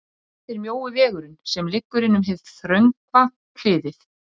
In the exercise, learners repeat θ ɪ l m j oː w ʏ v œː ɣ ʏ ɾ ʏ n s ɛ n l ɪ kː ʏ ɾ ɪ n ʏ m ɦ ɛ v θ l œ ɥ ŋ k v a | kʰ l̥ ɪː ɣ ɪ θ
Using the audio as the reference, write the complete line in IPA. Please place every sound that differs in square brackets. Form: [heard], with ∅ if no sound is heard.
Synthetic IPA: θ ɪ [ɾ] m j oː w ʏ v [ɛː] ɣ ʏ ɾ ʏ n s ɛ [m] l ɪ kː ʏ ɾ ɪ n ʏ m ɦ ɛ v θ [ɾ] œ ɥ ŋ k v a | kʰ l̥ ɪː [ð] ɪ θ